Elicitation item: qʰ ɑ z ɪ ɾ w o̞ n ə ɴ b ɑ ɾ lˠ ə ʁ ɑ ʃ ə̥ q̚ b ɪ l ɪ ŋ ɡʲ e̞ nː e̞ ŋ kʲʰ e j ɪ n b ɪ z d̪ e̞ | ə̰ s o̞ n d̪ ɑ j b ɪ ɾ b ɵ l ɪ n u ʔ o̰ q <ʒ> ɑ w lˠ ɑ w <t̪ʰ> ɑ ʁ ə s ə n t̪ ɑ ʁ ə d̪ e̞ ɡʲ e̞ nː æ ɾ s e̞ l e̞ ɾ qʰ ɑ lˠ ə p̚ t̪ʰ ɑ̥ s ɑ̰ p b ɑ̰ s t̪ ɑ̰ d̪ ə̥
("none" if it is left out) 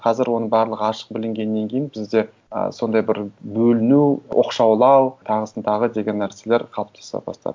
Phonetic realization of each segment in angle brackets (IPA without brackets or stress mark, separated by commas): ʃ, t̪ʰ